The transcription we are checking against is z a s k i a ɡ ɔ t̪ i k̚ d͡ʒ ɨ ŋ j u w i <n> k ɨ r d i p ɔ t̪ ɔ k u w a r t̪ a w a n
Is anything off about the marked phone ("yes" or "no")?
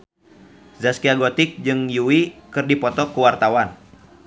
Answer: yes